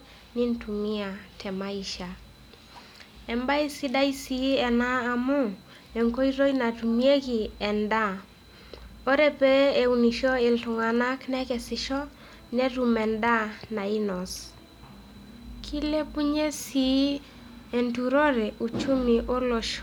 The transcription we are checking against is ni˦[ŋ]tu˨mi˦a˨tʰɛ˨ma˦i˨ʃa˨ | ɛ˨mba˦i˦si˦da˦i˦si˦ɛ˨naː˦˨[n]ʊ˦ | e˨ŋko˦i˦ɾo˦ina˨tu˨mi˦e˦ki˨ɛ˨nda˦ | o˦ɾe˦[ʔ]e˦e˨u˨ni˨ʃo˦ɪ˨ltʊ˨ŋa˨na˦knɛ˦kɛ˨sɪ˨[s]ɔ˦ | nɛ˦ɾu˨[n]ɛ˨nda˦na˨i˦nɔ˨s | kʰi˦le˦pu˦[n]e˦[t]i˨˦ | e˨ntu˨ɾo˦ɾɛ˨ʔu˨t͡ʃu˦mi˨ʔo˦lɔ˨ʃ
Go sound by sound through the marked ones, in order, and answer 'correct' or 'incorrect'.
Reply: incorrect: n, incorrect: m, incorrect: p, incorrect: ʃ, incorrect: m, incorrect: ɲ, incorrect: s

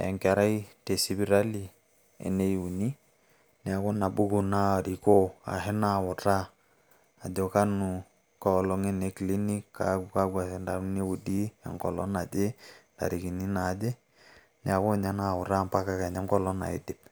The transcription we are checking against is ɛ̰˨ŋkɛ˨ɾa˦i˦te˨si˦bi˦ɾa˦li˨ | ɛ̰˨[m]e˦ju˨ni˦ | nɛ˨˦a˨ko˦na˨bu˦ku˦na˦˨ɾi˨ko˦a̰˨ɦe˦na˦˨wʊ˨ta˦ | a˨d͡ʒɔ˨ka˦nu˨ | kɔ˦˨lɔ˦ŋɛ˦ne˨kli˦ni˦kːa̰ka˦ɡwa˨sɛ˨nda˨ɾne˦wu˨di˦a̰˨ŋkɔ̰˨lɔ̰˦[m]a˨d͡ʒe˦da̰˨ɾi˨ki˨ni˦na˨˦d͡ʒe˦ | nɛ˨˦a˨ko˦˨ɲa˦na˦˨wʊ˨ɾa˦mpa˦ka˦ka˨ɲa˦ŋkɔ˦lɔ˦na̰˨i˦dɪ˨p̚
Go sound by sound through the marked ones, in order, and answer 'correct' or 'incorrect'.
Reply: incorrect: n, incorrect: n

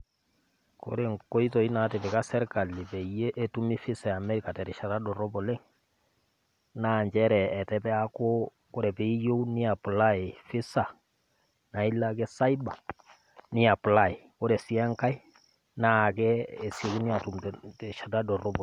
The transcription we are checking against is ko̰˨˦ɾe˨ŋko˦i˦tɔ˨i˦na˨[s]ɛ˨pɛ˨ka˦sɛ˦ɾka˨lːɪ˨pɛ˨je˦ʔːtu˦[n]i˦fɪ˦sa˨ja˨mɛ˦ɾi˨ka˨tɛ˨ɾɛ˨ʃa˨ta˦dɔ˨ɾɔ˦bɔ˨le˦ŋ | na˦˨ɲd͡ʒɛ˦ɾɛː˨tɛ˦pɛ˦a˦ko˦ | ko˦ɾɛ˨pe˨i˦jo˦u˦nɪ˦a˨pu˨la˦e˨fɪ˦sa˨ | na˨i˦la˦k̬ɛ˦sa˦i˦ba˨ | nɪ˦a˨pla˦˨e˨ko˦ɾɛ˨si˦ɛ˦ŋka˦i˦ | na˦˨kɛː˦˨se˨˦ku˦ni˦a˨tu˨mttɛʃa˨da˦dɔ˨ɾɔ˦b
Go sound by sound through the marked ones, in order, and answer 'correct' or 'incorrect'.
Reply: incorrect: t, incorrect: m

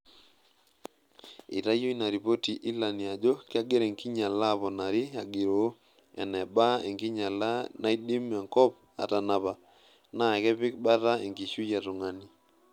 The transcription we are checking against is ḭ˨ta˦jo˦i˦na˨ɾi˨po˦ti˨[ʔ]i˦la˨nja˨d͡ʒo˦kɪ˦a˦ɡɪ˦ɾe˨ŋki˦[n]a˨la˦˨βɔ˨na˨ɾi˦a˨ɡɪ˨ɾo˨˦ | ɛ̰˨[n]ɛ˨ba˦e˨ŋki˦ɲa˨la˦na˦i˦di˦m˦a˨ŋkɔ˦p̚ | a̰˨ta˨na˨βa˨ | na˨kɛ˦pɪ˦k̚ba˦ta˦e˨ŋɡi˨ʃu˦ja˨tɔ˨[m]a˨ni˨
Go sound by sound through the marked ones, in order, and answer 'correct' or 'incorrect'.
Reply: correct, incorrect: ɲ, correct, incorrect: ŋ

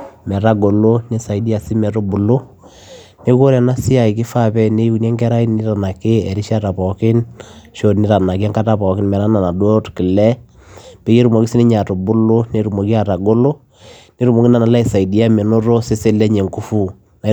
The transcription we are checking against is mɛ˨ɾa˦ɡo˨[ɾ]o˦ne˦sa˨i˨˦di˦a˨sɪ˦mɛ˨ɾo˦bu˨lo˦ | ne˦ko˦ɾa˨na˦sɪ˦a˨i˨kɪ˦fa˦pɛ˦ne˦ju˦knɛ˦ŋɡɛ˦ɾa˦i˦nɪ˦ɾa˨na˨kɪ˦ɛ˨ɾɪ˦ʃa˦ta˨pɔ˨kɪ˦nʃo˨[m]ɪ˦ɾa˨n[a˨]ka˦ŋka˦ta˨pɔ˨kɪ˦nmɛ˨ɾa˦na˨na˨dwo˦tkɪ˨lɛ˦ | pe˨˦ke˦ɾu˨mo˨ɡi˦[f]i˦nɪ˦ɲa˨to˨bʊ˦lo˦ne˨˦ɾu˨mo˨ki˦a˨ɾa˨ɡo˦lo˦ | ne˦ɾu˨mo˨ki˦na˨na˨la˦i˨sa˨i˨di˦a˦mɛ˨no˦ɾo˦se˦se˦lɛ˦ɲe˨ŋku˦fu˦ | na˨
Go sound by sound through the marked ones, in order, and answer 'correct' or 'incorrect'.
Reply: incorrect: l, incorrect: n, correct, incorrect: s

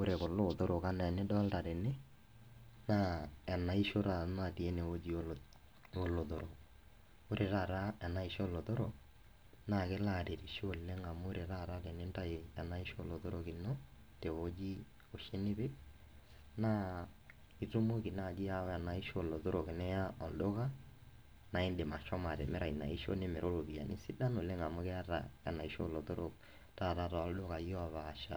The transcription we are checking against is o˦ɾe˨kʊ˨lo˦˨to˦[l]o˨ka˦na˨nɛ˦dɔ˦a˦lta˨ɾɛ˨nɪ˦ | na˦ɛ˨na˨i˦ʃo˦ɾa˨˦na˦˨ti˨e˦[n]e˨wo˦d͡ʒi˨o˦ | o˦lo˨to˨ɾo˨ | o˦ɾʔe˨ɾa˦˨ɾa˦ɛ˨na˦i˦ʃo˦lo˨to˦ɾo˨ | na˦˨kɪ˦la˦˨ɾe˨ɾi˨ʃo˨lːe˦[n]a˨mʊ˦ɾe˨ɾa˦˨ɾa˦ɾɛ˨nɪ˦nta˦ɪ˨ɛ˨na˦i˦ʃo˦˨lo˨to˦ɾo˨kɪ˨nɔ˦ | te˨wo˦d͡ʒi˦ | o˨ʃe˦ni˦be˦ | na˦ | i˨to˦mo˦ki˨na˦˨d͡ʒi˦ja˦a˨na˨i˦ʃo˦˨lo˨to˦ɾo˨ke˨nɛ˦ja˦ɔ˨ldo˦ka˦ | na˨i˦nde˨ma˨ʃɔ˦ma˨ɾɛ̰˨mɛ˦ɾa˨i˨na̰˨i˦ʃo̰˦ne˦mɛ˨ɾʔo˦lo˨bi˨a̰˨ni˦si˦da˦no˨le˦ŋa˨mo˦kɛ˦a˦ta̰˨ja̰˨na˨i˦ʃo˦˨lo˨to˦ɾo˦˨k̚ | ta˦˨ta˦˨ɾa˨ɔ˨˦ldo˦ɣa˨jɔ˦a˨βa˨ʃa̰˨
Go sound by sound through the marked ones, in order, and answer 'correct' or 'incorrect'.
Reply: incorrect: ɾ, correct, incorrect: ŋ

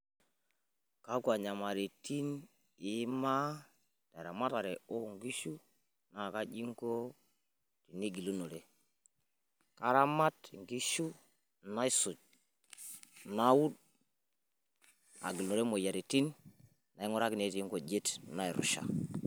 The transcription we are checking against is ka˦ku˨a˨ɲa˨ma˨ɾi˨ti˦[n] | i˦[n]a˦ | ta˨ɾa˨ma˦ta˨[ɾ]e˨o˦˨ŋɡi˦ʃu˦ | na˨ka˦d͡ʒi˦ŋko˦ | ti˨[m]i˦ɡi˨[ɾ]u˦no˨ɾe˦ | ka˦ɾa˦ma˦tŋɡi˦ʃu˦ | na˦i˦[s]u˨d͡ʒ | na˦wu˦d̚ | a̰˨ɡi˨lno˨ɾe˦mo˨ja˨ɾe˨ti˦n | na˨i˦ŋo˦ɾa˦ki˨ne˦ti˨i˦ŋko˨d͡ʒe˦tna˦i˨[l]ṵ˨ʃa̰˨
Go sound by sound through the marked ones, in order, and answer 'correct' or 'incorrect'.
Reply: correct, incorrect: m, correct, incorrect: n, incorrect: l, correct, incorrect: ɾ

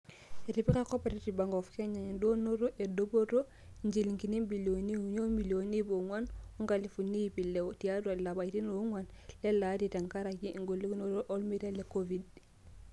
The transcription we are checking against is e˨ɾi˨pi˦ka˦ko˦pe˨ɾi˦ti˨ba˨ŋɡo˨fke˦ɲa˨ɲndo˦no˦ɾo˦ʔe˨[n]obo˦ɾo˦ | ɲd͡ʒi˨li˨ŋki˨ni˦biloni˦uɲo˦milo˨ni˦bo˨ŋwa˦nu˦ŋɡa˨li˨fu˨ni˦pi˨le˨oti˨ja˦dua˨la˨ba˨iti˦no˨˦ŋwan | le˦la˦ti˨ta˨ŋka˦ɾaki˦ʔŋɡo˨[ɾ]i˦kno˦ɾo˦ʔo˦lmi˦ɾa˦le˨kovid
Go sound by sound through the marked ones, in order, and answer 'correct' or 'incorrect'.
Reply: incorrect: d, incorrect: l

